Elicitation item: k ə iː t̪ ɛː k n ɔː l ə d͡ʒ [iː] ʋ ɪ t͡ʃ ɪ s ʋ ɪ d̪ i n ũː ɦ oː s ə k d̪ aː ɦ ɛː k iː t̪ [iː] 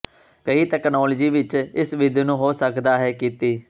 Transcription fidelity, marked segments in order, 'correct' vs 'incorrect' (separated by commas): correct, correct